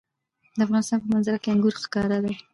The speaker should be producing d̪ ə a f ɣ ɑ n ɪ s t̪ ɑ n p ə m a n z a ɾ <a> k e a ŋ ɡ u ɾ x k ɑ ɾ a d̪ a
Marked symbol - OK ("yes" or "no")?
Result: yes